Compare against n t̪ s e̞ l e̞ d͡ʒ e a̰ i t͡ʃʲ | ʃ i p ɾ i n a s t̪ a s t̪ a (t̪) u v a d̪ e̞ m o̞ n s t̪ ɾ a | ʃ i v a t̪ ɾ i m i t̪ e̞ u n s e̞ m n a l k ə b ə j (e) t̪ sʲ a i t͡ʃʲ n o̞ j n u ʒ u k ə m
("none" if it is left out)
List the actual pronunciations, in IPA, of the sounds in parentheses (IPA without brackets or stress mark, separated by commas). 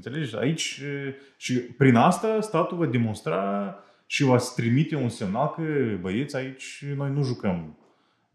t̪, e